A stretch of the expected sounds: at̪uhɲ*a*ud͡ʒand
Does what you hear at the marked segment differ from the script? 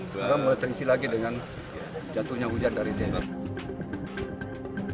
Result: no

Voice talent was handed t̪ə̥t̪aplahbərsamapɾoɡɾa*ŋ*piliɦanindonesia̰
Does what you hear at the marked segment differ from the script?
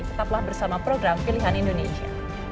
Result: yes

